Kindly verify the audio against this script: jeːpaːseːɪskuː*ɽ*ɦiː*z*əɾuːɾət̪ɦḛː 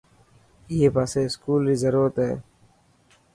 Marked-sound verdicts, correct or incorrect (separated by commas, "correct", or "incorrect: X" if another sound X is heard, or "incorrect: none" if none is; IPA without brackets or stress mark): incorrect: l, correct